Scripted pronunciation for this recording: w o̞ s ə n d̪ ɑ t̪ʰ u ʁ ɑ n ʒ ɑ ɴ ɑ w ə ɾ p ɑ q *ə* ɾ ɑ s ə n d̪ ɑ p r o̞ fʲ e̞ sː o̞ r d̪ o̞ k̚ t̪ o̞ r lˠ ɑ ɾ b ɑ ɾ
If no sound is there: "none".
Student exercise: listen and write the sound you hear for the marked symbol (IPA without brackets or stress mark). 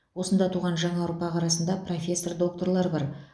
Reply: ɑ